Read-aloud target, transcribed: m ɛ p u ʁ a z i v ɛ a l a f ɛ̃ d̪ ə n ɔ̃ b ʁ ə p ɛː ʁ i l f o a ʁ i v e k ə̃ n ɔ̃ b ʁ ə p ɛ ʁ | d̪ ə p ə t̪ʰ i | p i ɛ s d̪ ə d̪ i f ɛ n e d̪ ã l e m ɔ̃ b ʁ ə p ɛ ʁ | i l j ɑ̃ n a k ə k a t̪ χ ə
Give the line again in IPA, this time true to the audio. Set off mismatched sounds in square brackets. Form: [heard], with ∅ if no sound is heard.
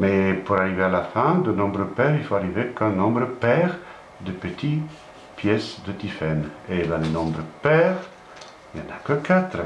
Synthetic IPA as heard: m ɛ p u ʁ a [ʁ] i v [e] a l a f ɛ̃ d̪ ə n ɔ̃ b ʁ ə p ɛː ʁ i l f o a ʁ i v e k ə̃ n ɔ̃ b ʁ ə p ɛ ʁ | d̪ ə p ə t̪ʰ i | p [j] ɛ s d̪ ə [t̪] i f ɛ n e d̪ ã l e [n] ɔ̃ b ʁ ə p ɛ ʁ | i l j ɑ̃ n a k ə k a t̪ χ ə

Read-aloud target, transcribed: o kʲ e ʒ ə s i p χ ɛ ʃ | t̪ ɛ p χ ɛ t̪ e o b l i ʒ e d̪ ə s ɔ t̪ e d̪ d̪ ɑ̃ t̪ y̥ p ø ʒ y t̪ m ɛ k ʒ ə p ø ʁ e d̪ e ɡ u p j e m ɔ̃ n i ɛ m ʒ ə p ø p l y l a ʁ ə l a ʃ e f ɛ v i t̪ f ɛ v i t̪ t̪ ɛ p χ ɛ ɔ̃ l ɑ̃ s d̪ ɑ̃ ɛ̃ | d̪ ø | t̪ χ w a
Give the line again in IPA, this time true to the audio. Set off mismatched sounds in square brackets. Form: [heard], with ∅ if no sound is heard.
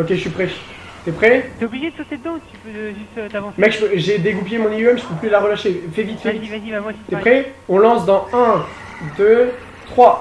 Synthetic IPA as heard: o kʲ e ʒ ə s i p χ ɛ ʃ | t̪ ɛ p χ ɛ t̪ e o b l i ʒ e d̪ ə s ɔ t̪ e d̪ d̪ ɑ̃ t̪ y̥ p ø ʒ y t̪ m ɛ k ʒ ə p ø [ʒ] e d̪ e ɡ u p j e m ɔ̃ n i ɛ m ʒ ə p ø p l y l a ʁ ə l a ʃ e f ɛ v i t̪ f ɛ v i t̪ t̪ ɛ p χ ɛ ɔ̃ l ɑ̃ s d̪ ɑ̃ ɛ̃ | d̪ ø | t̪ χ w a

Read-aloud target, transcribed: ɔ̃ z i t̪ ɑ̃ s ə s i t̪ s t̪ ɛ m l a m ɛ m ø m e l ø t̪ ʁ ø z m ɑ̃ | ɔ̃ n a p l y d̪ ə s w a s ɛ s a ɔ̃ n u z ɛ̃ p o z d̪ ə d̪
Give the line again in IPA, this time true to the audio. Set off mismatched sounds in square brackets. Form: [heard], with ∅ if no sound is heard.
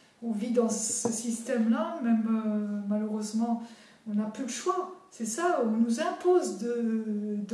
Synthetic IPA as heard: ɔ̃ [v] i [d̪] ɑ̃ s ə s i [∅] s t̪ ɛ m l a m ɛ m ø m [a] l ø [∅] ʁ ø z m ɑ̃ | ɔ̃ n a p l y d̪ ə [ʃ] w a s ɛ s a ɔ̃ n u z ɛ̃ p o z d̪ ə d̪

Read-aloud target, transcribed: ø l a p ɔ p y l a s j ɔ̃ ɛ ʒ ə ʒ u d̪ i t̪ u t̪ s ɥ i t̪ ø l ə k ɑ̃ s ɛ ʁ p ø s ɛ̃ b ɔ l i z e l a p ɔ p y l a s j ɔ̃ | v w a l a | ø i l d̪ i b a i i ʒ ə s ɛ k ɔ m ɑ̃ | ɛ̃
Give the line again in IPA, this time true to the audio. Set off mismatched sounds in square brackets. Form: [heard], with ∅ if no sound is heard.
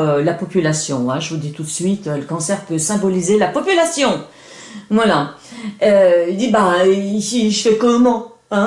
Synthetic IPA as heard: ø l a p ɔ p y l a s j ɔ̃ [ɛ̃] ʒ ə [v] u d̪ i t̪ u t̪ s ɥ i t̪ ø l ə k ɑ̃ s ɛ ʁ p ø s ɛ̃ b ɔ l i z e l a p ɔ p y l a s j ɔ̃ | v w a l a | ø i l d̪ i b a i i ʒ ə [f] ɛ k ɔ m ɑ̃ | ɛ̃

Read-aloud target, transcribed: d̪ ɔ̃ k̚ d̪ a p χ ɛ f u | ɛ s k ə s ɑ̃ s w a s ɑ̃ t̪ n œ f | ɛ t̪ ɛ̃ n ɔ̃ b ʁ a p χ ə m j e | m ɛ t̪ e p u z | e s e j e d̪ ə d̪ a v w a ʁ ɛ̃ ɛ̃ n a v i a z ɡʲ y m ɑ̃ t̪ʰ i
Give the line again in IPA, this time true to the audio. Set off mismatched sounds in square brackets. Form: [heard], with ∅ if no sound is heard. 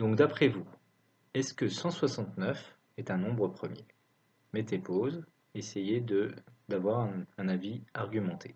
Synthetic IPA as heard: d̪ ɔ̃ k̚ d̪ a p χ ɛ [v] u | ɛ s k ə s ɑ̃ s w a s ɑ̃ t̪ n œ f | ɛ t̪ ɛ̃ n ɔ̃ b ʁ [ə] p χ ə m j e | m ɛ t̪ e p [o] z | e s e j e d̪ ə d̪ a v w a ʁ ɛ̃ ɛ̃ n a v i a [ʁ] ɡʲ y m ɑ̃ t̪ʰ [e]

